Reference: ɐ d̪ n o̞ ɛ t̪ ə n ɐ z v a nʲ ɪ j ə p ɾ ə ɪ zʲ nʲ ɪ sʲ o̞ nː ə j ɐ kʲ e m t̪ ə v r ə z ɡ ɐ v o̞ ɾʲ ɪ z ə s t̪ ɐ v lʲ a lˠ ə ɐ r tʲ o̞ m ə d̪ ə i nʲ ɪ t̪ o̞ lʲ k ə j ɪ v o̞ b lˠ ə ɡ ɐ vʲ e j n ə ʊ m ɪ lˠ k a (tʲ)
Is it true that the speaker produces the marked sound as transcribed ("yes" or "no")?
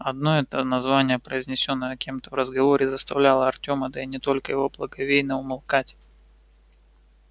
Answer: yes